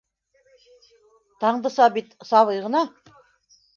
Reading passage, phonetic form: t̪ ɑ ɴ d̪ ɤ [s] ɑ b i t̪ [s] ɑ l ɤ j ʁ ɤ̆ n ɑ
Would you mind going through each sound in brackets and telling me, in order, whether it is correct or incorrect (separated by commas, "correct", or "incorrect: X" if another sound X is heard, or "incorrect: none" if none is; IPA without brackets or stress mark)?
correct, correct